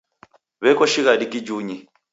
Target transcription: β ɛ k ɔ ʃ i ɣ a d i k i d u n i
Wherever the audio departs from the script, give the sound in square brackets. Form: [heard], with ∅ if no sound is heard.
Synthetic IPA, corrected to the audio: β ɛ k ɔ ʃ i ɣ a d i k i [d͡ʒ] u [ɲ] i